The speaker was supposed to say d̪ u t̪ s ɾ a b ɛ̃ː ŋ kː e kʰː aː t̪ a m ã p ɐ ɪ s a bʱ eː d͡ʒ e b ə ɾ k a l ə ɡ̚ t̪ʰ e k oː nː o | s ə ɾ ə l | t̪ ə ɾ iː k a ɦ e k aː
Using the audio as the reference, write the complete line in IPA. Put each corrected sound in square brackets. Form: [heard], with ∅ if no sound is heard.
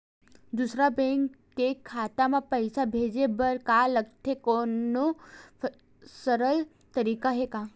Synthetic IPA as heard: d̪ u [∅] s ɾ a b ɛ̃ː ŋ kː e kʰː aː t̪ a m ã p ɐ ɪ s a bʱ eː d͡ʒ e b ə ɾ k a l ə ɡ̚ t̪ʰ e k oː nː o | s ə ɾ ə l | t̪ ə ɾ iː k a ɦ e k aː